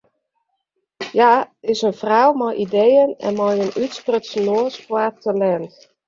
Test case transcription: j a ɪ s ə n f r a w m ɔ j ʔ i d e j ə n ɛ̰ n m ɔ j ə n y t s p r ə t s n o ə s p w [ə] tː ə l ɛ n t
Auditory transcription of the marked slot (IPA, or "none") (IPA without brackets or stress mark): a